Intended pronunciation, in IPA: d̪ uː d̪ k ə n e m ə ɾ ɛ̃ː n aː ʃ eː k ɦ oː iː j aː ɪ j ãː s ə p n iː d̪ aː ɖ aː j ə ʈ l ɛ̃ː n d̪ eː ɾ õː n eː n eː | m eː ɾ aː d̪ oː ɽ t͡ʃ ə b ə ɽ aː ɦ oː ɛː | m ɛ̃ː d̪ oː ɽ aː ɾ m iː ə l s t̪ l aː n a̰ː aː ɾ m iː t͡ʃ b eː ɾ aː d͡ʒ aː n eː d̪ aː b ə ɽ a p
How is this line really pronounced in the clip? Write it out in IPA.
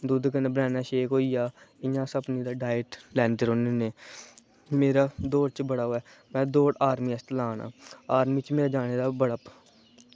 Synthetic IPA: d̪ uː d̪ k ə n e b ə ɾ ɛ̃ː n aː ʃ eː k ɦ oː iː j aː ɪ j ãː s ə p n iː d̪ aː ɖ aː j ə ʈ l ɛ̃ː n d̪ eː ɾ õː n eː n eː | m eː ɾ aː d̪ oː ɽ t͡ʃ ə b ə ɽ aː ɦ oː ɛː | m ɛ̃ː d̪ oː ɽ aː ɾ m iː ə s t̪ l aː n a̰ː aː ɾ m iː t͡ʃ m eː ɾ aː d͡ʒ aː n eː d̪ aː b ə ɽ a p